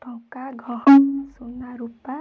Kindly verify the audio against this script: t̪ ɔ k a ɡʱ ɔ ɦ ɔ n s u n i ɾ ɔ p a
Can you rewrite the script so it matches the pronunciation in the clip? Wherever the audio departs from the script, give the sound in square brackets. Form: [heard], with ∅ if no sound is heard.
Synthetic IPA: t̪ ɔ k a ɡʱ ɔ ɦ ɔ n s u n [a] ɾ [u] p a

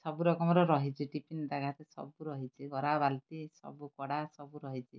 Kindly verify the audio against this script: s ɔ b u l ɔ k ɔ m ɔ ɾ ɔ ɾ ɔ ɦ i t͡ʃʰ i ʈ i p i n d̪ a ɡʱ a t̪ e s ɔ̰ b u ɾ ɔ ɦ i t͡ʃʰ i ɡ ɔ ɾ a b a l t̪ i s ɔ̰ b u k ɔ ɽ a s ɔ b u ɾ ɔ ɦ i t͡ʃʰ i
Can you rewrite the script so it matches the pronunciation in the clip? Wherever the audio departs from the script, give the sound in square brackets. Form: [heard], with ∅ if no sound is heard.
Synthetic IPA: s ɔ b u [ɾ] ɔ k ɔ m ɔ ɾ ɔ ɾ ɔ ɦ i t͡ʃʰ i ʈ i p i n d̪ a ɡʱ a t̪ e s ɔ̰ b u ɾ ɔ ɦ i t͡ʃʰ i ɡ ɔ ɾ a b a l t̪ i s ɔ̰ b u k ɔ ɽ a s ɔ b u ɾ ɔ ɦ i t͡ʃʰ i

